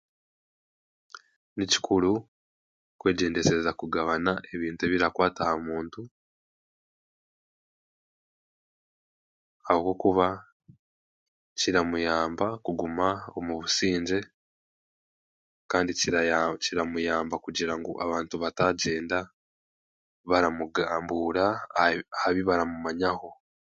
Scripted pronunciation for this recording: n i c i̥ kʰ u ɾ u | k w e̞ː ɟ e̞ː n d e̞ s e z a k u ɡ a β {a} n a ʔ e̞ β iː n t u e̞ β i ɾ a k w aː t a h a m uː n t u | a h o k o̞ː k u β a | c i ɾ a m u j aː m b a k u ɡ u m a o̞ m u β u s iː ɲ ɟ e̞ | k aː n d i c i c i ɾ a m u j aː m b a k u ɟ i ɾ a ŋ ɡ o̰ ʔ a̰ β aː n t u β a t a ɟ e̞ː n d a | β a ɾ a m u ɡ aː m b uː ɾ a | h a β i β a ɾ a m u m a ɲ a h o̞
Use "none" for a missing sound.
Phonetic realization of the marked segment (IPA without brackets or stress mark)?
a